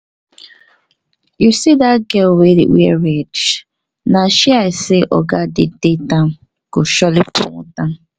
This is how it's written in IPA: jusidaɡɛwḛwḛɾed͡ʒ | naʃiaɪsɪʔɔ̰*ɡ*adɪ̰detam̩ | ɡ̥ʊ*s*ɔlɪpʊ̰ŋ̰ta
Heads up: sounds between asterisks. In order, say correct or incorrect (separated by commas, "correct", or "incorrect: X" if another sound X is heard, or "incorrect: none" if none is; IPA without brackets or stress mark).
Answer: correct, incorrect: ʃ